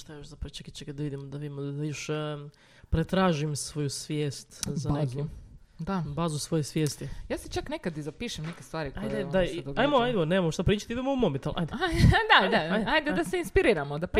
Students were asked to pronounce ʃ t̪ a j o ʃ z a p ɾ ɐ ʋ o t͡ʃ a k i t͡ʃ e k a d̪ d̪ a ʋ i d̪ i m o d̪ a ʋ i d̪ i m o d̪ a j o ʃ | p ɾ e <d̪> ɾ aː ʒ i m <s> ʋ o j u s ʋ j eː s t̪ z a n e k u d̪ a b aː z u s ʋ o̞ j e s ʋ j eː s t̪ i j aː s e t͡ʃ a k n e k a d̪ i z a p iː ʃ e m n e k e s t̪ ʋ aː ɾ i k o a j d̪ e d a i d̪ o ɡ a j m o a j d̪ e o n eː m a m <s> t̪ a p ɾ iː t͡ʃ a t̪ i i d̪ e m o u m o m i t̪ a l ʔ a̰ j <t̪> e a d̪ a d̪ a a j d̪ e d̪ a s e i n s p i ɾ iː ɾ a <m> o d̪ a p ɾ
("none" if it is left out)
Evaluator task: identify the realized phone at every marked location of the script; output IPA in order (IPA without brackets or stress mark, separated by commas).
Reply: t̪, s, ʃ, d̪, m